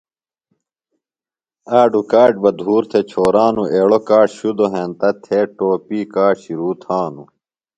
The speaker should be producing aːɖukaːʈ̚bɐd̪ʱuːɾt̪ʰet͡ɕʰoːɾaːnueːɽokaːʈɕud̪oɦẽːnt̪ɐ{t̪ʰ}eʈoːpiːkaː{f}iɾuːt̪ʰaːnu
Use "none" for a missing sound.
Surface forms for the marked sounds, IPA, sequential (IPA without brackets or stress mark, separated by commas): t̪ʰ, ɕ